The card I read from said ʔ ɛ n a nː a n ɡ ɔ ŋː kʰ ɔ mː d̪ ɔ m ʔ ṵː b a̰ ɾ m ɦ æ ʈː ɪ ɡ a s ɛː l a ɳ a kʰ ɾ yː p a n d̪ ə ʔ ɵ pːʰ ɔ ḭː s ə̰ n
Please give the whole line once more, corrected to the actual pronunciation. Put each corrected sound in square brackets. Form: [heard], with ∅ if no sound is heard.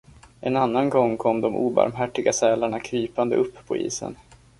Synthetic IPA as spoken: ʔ ɛ n a nː a n ɡ ɔ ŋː kʰ ɔ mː d̪ ɔ m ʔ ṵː b a̰ ɾ m ɦ æ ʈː ɪ ɡ a s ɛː l a ɳ a kʰ ɾ yː p a n d̪ ə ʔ ɵ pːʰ ɔ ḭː s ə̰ n